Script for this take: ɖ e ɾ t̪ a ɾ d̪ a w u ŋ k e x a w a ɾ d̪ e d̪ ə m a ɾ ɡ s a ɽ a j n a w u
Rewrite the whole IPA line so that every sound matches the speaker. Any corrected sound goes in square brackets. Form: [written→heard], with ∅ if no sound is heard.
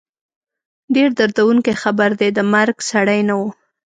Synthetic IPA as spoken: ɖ e ɾ [t̪→d̪] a ɾ d̪ a w u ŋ k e x a [w→b] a ɾ d̪ e d̪ ə m a ɾ ɡ s a ɽ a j n a w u